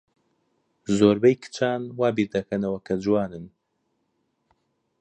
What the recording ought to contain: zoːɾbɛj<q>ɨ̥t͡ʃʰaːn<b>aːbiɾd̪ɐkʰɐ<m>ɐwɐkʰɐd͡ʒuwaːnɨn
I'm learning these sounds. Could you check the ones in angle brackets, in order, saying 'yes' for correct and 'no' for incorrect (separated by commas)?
no, no, no